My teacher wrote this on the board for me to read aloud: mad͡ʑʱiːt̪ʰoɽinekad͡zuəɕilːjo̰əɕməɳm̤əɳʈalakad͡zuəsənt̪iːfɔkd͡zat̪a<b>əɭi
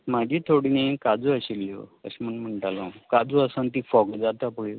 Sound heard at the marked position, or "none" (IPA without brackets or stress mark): p